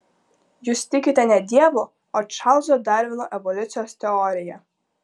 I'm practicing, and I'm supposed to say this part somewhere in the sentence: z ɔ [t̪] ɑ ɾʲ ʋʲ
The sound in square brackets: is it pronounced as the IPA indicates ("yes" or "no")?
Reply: no